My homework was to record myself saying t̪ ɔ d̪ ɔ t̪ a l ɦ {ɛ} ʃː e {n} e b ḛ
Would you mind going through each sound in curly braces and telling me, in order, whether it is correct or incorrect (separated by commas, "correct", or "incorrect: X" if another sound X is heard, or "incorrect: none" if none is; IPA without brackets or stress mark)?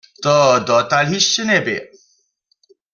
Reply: incorrect: i, correct